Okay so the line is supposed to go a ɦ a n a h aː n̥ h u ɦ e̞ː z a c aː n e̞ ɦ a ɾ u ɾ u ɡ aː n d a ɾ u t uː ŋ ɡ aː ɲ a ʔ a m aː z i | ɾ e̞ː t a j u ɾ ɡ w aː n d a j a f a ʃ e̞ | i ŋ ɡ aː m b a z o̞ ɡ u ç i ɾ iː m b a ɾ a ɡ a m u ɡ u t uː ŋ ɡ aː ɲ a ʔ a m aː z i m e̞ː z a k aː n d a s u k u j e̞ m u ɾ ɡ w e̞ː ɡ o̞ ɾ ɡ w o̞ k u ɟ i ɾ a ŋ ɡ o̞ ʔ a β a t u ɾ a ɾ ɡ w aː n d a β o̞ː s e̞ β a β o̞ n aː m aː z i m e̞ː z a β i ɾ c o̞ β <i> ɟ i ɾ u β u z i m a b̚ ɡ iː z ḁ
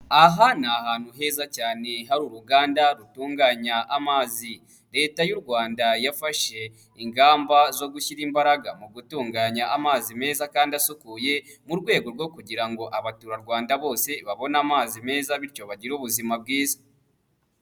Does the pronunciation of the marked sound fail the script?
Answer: yes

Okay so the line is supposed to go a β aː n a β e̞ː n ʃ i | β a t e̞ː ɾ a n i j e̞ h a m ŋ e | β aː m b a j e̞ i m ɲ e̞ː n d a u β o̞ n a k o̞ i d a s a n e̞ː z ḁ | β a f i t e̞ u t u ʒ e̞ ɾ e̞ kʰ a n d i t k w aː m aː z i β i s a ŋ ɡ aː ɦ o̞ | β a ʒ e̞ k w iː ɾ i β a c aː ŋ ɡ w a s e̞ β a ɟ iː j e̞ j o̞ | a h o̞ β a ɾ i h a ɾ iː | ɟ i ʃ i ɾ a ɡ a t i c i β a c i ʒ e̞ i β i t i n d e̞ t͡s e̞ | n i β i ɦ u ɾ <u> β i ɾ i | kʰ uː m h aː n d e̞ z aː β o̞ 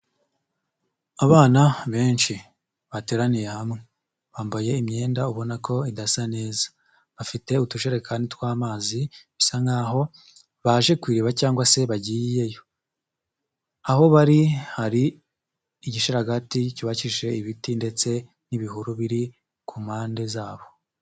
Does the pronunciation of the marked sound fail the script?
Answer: no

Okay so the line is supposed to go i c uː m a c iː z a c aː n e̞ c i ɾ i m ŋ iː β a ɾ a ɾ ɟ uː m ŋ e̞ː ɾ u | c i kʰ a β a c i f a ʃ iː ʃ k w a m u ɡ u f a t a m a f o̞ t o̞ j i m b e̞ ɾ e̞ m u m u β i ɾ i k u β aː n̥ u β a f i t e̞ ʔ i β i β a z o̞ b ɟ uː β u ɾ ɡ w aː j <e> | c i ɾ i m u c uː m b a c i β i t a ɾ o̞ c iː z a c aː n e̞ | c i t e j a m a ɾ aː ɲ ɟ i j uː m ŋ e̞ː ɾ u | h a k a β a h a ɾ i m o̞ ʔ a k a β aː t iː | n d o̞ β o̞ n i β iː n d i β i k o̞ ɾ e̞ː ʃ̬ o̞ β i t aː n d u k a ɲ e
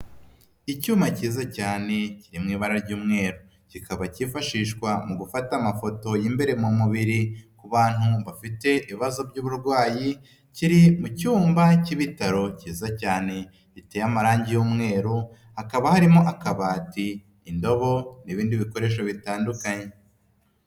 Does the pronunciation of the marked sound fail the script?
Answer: yes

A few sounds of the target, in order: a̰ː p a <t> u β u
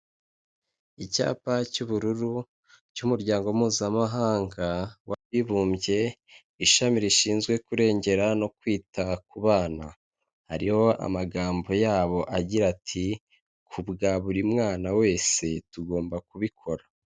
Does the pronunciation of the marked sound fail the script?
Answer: yes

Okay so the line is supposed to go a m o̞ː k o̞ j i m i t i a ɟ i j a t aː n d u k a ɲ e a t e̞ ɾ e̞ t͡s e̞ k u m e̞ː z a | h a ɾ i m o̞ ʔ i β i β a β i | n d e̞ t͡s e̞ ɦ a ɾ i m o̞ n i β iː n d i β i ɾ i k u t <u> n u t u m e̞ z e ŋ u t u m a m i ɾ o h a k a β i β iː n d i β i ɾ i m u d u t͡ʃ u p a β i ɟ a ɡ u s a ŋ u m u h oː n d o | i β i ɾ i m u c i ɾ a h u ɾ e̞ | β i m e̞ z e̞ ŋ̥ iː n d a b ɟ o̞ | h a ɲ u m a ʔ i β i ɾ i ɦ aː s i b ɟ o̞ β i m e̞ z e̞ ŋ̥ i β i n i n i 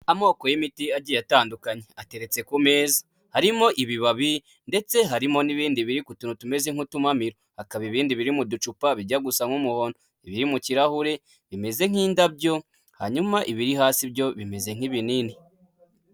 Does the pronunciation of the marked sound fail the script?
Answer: no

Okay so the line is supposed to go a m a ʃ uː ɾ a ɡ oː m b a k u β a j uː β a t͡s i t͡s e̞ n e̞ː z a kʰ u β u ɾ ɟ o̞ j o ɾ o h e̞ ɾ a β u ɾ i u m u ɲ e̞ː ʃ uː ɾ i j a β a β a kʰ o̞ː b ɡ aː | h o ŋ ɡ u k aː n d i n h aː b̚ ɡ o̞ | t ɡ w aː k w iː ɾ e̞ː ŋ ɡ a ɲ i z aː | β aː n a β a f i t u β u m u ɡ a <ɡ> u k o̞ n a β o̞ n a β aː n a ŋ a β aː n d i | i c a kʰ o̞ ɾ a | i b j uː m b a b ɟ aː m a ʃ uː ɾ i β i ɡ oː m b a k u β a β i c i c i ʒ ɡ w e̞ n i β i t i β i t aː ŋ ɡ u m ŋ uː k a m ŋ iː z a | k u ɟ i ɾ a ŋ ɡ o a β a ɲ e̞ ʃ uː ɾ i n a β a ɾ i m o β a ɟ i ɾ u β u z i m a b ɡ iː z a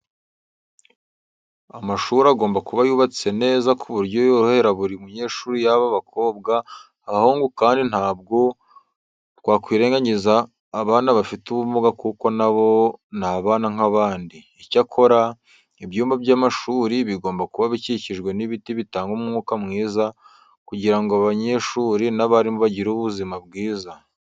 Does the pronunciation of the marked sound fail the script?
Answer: yes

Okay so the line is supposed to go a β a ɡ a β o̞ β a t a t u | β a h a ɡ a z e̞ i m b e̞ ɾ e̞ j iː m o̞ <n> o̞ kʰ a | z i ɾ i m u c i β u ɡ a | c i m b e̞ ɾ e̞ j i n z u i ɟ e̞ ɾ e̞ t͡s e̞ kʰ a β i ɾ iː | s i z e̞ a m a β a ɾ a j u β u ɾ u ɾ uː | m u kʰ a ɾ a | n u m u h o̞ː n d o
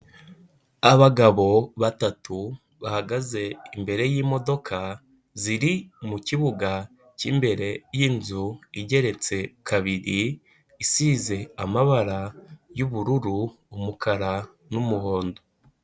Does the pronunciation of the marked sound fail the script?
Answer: yes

